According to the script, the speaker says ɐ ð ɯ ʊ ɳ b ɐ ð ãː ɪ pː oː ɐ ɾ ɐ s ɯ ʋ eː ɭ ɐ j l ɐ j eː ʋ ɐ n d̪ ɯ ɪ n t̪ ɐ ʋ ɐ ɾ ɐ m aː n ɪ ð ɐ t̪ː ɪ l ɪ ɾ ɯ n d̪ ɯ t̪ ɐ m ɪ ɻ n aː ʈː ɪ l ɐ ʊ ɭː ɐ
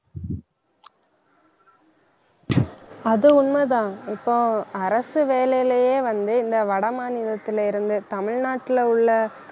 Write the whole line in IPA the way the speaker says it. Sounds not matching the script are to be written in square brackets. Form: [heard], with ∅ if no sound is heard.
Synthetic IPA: ɐ ð ɯ ʊ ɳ [m] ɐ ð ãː ɪ pː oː ɐ ɾ ɐ s ɯ ʋ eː [l] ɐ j l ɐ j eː ʋ ɐ n d̪ ɯ ɪ n [d̪] ɐ ʋ ɐ [ɽ] ɐ m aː n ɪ ð ɐ t̪ː ɪ l ɪ ɾ ɯ n d̪ ɯ t̪ ɐ m ɪ ɻ n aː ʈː ɪ l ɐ ʊ ɭː ɐ